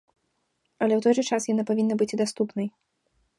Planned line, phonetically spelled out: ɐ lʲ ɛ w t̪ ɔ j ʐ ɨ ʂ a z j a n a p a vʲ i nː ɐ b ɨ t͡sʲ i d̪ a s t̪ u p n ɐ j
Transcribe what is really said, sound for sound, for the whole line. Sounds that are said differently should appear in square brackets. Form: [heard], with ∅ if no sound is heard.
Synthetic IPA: ɐ lʲ ɛ w t̪ ɔ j ʐ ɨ [t͡ʂ] a [s] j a n a p a vʲ i nː ɐ b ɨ t͡sʲ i d̪ a s t̪ u p n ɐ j

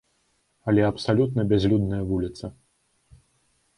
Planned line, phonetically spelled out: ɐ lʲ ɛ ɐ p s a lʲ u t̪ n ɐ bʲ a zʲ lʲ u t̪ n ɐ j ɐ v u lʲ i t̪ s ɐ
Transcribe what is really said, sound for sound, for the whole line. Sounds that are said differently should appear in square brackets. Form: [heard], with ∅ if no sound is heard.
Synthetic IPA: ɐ lʲ ɛ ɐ p s a lʲ u t̪ n ɐ bʲ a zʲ lʲ u [d̪] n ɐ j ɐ v u lʲ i t̪ s ɐ

